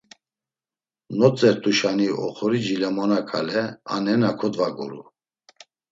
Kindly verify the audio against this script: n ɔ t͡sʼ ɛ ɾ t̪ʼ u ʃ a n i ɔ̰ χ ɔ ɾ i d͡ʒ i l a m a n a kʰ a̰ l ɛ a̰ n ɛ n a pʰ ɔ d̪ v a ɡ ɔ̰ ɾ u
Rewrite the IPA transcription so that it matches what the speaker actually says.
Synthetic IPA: n ɔ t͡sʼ ɛ ɾ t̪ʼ u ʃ a n i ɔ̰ χ ɔ ɾ i d͡ʒ i l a m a n a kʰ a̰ l ɛ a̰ n ɛ n a kʰ ɔ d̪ v a ɡ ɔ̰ ɾ u

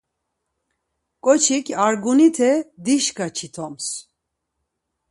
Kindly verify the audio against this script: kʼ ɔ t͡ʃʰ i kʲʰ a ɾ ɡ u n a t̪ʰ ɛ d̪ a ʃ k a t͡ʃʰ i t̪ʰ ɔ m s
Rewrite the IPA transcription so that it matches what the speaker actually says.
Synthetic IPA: kʼ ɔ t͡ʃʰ i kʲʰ a ɾ ɡ u n i t̪ʰ ɛ d̪ i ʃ k a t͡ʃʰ i t̪ʰ ɔ m s

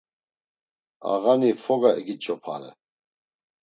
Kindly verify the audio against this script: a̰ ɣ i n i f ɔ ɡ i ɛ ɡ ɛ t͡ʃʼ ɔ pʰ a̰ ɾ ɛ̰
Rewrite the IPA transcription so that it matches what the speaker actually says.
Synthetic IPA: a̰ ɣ a n i f ɔ ɡ a ɛ ɡ i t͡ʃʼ ɔ pʰ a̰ ɾ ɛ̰

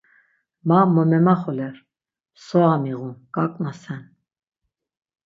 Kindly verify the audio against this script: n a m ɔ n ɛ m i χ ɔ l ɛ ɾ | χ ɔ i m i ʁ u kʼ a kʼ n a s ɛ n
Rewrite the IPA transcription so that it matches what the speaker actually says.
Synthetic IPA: m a m ɔ m ɛ m a χ ɔ l ɛ ɾ | s ɔ a m i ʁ u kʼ a kʼ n a s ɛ n

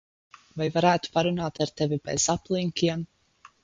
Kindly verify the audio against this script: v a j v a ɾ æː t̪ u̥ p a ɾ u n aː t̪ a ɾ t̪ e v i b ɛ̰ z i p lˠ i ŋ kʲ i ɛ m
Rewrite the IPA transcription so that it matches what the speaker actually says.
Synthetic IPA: v a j v a ɾ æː t̪ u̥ p a ɾ u n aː t̪ a ɾ t̪ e v i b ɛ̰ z a p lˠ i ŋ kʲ i ɛ m

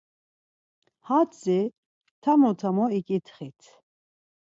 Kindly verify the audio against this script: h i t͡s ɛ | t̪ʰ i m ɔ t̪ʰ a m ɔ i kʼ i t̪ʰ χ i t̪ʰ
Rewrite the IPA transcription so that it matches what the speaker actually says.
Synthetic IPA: h a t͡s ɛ | t̪ʰ a m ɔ t̪ʰ a m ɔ i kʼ i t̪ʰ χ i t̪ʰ

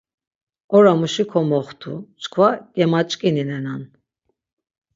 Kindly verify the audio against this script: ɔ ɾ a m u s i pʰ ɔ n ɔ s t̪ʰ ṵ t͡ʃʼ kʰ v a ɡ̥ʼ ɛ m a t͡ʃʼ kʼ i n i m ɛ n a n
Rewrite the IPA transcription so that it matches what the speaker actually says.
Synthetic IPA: ɔ ɾ a m u ʃ i kʰ ɔ m ɔ χ t̪ʰ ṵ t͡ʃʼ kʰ v a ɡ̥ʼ ɛ m a t͡ʃʼ kʼ i n i n ɛ n a n

